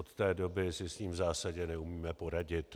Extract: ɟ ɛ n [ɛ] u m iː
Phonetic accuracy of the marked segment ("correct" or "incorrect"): correct